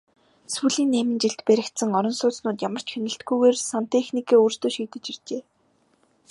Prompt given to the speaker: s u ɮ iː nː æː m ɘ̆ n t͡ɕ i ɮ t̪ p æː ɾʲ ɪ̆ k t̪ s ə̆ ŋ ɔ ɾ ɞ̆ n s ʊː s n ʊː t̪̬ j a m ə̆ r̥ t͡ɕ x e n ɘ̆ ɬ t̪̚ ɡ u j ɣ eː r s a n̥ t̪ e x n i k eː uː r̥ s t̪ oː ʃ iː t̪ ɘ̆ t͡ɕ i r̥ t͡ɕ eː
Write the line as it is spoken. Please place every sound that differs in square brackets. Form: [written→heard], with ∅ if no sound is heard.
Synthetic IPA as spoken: s u ɮ iː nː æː m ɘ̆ n t͡ɕ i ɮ t̪ p [æː→æ] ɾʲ ɪ̆ k t̪ s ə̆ ŋ ɔ ɾ ɞ̆ n s ʊː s n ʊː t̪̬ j a m ə̆ r̥ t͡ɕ x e n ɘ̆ ɬ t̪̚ ɡ u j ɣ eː r s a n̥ t̪ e x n i k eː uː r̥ s t̪ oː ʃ iː t̪ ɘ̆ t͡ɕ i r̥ t͡ɕ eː